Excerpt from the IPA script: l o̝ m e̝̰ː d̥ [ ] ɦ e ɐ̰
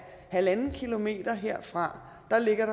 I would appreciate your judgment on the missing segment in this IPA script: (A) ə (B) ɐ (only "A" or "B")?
B